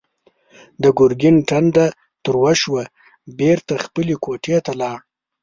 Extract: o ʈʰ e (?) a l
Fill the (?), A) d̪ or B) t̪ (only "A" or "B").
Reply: B